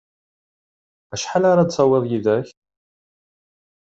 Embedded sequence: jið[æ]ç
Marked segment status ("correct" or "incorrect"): correct